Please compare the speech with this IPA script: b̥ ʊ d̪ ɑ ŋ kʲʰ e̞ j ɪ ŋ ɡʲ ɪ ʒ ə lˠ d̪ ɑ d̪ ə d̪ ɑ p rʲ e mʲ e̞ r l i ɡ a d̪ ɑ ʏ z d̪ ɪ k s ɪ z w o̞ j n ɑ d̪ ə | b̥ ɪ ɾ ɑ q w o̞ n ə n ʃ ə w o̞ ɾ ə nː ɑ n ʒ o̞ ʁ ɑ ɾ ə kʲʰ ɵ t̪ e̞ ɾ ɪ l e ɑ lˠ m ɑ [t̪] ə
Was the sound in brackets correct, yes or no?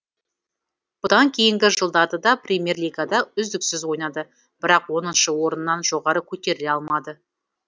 no